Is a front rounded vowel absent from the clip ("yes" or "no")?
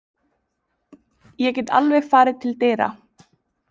yes